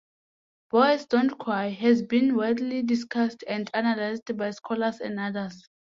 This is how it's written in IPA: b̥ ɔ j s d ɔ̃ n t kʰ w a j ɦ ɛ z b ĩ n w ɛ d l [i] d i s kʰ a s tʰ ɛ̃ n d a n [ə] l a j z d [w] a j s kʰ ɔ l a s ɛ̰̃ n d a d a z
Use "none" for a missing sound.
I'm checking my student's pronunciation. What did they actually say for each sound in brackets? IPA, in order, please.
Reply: i, a, b

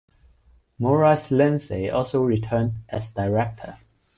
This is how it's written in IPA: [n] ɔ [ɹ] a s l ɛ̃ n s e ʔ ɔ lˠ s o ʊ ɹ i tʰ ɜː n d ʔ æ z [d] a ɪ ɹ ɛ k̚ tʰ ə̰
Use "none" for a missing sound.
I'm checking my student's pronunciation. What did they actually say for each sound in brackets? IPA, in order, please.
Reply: m, ɹ, d

